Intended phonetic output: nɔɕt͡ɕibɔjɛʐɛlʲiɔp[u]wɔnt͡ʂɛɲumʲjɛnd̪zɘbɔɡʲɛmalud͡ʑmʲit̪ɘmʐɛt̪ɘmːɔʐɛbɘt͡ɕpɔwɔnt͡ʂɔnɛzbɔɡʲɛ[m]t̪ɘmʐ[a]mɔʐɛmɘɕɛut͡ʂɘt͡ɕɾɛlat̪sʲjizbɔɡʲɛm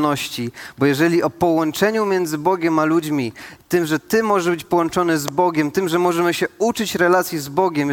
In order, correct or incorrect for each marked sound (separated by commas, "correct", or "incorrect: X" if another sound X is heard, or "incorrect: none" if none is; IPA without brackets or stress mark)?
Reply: incorrect: ɔ, correct, incorrect: ɛ